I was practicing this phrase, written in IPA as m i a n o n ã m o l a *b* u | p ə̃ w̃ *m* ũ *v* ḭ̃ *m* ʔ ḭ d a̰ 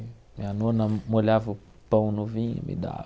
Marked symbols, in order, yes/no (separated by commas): no, no, yes, yes